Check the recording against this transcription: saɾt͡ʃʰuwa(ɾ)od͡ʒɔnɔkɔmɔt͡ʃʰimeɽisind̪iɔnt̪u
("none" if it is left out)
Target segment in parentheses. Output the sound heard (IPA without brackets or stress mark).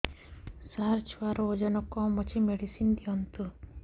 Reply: ɾ